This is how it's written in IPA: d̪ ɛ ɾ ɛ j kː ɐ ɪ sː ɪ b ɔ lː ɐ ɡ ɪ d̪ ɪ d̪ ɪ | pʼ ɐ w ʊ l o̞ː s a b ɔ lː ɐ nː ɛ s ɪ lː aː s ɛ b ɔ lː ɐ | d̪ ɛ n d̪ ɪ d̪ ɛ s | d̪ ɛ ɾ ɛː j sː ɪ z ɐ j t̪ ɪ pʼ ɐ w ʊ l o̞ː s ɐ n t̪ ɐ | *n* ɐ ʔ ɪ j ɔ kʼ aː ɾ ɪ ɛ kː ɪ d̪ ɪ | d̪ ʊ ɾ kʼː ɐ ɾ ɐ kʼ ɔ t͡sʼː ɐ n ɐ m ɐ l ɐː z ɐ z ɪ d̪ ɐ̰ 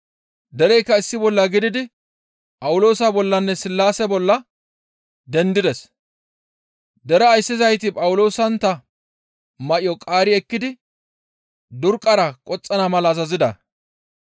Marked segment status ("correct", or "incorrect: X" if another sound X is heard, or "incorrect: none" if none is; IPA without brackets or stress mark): incorrect: m